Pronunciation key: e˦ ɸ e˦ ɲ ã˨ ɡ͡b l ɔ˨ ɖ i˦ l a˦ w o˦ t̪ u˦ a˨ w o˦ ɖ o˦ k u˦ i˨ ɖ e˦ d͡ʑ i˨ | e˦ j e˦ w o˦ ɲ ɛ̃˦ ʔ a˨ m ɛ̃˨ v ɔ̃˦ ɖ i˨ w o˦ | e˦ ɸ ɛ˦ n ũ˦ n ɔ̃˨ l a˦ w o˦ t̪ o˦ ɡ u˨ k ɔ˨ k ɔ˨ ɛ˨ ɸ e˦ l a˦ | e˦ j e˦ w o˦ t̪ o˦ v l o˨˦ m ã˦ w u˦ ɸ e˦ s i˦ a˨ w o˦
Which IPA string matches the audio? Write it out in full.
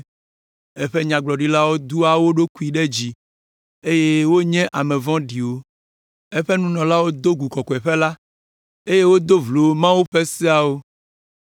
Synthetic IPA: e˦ ɸ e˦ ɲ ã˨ ɡ͡b l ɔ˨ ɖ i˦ l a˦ w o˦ d̪ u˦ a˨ w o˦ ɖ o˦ k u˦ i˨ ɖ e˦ d͡ʑ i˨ | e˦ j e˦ w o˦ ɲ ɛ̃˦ ʔ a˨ m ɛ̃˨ v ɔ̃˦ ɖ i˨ w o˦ | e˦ ɸ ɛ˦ n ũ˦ n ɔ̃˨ l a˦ w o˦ d̪ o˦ ɡ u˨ k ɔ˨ k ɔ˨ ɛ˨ ɸ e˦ l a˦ | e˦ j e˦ w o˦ d̪ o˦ v l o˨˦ m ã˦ w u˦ ɸ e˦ s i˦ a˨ w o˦